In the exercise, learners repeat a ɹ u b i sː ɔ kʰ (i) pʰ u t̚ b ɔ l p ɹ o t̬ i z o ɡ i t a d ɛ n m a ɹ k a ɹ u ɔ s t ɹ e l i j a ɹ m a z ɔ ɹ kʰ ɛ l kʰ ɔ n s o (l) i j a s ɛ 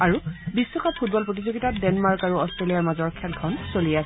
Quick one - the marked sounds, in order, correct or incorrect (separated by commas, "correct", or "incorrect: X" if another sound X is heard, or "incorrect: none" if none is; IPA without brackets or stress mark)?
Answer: incorrect: a, correct